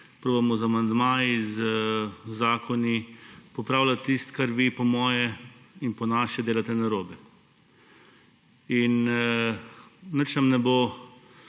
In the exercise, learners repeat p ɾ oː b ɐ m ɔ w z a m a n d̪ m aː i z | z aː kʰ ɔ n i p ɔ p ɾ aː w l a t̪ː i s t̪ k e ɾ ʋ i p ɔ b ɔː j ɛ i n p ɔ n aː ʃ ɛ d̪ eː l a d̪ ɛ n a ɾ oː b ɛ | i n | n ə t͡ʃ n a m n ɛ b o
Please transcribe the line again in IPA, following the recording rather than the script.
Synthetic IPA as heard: p ɾ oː b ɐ m ɔ z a m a n d̪ m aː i z | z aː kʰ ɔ n i p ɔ p ɾ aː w l a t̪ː i s t̪ k a ɾ ʋ i p ɔ m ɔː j ɛ i n p ɔ n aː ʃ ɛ d̪ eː l a t̪ ɛ n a ɾ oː b ɛ | i n | n ə t͡ʃ n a m n ɛ b o

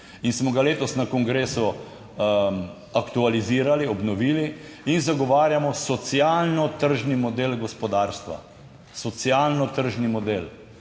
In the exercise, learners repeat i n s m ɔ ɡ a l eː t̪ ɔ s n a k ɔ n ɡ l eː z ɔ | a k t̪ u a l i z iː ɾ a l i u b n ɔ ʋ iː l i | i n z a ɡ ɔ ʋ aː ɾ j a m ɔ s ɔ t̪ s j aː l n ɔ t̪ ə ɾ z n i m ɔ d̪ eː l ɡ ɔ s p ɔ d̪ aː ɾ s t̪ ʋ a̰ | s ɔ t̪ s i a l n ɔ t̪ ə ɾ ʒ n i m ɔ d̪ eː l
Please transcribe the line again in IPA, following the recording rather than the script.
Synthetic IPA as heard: i n s m ɔ ɡ a l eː t̪ ɔ s n a k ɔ ŋ ɡ ɾ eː s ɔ | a k t̪ u a l i z iː ɾ a l i ɔ b n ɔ ʋ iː l i | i n z a ɡ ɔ ʋ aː ɾ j a m ɔ s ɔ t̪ s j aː l n ɔ t̪ ə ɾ ʒ n i m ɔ d̪ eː l ɡ ɔ s p ɔ d̪ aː ɾ s t̪ ʋ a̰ | s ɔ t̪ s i a l n ɔ t̪ ə ɾ ʒ n i m ɔ d̪ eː l

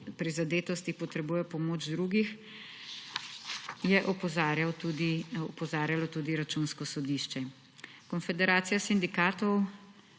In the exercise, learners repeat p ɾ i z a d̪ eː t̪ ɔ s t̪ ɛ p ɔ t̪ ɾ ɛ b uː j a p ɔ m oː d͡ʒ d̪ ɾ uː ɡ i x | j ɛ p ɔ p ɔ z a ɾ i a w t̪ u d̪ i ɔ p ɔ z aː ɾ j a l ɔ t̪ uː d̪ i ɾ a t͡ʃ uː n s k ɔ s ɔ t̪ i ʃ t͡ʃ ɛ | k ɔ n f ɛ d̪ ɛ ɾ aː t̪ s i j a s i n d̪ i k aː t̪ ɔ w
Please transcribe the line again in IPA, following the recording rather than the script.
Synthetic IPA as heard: p ɾ i z a d̪ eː t̪ ɔ s t̪ i p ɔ t̪ ɾ ɛ b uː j ɛ p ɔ m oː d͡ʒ d̪ ɾ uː ɡ i x | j ɛ ʔ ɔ p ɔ z a ɾ j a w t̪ u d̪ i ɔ p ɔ z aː ɾ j a l ɔ t̪ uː d̪ i ɾ a t͡ʃ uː n s k ɔ s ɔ d̪ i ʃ t͡ʃ ɛ | k ɔ n f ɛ d̪ ɛ ɾ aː t̪ s i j a s i n d̪ i k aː t̪ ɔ w

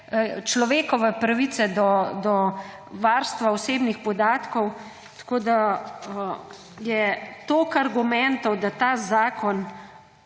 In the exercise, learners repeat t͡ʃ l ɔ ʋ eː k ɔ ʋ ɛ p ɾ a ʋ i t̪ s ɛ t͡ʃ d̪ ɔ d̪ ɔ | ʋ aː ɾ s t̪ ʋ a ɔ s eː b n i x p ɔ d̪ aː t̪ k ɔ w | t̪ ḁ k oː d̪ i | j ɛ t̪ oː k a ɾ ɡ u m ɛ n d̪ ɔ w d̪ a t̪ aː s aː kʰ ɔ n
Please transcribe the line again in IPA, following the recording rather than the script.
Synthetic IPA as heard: t͡ʃ l ɔ ʋ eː k ɔ ʋ ɛ p ɾ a ʋ i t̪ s ɛ d̪ ɔ d̪ ɔ | ʋ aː ɾ s t̪ ʋ a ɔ s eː b n i x p ɔ d̪ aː t̪ k ɔ w | t̪ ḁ k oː d̪ a | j ɛ t̪ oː k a ɾ ɡ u m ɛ n t̪ ɔ w d̪ a t̪ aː z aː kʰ ɔ n

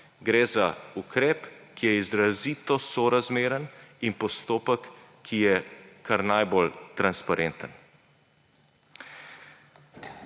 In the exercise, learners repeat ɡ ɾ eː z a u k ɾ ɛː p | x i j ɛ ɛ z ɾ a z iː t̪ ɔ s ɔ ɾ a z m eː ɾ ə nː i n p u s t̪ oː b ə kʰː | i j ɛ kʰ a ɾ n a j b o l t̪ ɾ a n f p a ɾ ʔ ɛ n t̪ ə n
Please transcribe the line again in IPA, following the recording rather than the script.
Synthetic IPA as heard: ɡ ɾ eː z a u k ɾ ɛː p | k i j ɛ i z ɾ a z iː t̪ ɔ s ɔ ɾ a z m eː ɾ ə n i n p ɔ s t̪ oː p ə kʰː | i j ɛ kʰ a ɾ n a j b o l t̪ ɾ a n s p a ɾ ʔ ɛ n t̪ ə n

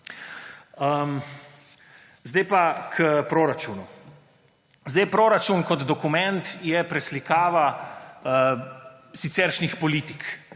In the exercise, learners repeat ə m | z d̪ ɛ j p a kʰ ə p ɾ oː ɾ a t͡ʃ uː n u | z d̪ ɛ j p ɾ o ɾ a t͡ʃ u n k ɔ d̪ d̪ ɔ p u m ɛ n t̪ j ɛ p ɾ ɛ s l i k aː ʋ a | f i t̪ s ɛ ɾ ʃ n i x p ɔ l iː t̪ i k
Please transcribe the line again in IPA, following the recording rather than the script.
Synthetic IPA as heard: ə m | z d̪ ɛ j p a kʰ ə p ɾ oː ɾ a t͡ʃ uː n u | z d̪ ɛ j p ɾ o ɾ a t͡ʃ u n k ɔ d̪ d̪ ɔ k u m ɛ n t̪ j ɛ p ɾ ɛ s l i k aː ʋ a | s i t̪ s ɛ ɾ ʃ n i x p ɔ l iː t̪ i k

